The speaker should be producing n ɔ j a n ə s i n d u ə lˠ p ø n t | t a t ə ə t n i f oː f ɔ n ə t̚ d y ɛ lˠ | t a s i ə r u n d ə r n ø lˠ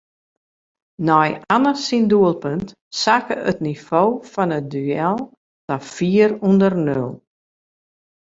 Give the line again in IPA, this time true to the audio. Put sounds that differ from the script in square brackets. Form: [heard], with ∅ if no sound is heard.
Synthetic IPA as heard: n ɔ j a n ə s i n d u ə lˠ p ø n t | [s] a [k] ə ə t n i f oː f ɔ n ə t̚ d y ɛ lˠ | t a [f] i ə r u n d ə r n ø lˠ